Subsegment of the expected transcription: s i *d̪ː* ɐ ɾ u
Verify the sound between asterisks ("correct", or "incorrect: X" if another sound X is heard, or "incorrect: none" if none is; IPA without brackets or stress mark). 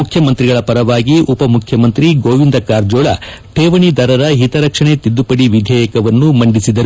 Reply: incorrect: d̪